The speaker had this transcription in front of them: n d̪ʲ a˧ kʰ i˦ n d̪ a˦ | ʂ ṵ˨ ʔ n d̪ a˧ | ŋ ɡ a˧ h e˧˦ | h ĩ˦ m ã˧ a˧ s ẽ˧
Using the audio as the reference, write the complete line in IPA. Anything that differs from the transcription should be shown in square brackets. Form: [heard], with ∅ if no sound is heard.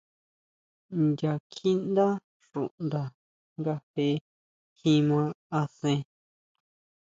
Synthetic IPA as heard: n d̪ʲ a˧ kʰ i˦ n d̪ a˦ | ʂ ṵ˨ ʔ n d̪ a˧ | ŋ ɡ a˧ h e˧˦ | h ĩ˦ m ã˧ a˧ s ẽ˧